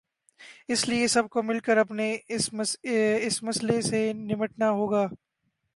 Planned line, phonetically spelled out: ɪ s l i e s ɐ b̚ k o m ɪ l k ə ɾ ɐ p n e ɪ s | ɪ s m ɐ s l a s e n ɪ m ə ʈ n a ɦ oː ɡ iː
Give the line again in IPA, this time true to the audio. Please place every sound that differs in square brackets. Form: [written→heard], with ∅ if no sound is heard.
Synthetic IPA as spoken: ɪ s l i e s ɐ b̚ k o m ɪ l k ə ɾ ɐ p n e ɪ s | ɪ s m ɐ s l [a→e] s e n ɪ m ə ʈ n a ɦ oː ɡ [iː→aː]